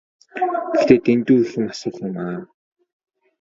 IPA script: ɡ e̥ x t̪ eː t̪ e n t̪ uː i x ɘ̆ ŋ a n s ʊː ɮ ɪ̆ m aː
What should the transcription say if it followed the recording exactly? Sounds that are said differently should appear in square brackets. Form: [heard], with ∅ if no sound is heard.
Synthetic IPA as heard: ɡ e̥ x t̪ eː t̪ e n t̪ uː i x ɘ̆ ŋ a [∅] s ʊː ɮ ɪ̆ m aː